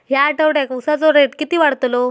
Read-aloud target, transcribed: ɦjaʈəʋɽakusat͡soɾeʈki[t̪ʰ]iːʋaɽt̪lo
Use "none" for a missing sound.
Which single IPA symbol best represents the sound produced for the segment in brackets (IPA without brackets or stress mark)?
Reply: t̪